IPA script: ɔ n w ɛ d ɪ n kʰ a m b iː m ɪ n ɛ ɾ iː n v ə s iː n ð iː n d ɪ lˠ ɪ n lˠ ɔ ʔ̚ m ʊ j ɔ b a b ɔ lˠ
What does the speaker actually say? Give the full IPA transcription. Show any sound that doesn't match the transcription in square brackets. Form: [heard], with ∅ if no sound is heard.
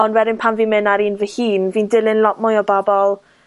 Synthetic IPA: ɔ n w ɛ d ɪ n [pʰ] a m [v] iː m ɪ n [a] ɾ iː n v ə [h] iː n [v] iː n d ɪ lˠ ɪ n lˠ ɔ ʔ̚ m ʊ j ɔ b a b ɔ lˠ